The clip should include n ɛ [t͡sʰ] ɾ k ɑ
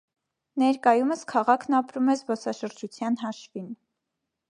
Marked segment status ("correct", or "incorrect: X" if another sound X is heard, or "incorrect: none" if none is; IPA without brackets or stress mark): incorrect: none